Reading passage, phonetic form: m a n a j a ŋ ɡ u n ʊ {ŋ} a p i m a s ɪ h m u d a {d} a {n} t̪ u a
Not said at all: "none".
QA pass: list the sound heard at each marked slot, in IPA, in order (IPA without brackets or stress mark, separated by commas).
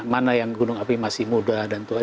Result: ŋ, d, n